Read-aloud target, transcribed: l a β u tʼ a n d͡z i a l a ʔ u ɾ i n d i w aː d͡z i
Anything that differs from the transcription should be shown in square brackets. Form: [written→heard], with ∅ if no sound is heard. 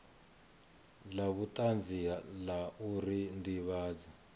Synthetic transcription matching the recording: l a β u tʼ a n d͡z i a l a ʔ u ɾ i n d i [w→β] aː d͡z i